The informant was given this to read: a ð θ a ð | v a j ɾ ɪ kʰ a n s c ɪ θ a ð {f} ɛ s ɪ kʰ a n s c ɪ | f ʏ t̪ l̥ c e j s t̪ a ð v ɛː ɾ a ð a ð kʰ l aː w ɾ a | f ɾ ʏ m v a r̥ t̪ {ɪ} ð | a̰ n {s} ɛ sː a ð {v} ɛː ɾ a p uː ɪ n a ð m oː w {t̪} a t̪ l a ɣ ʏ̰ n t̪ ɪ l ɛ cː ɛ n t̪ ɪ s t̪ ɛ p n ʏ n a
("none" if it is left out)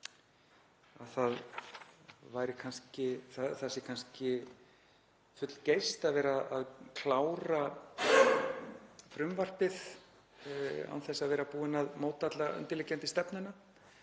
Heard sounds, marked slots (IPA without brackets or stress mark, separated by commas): θ, ɪ, θ, v, t̪